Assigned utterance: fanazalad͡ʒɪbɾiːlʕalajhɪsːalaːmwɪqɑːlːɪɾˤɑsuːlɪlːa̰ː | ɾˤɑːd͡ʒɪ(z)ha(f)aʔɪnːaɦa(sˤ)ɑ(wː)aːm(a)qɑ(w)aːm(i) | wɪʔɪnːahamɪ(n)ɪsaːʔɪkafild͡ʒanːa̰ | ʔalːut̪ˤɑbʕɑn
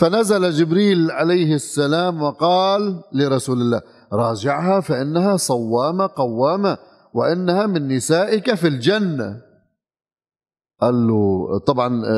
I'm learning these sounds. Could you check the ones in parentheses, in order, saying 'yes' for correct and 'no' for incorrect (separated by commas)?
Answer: no, yes, yes, yes, yes, no, no, no